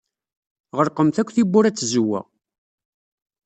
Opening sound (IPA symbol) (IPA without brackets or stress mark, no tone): ʁ